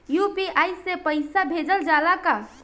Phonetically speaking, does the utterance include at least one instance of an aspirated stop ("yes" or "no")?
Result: no